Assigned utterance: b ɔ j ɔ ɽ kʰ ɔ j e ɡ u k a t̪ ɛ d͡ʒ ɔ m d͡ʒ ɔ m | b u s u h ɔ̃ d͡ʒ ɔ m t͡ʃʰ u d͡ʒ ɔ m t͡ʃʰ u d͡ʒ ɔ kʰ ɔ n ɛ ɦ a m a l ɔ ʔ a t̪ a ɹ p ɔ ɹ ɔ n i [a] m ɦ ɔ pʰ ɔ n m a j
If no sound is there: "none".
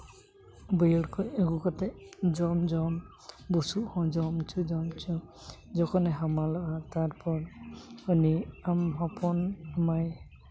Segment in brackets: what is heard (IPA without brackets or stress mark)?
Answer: a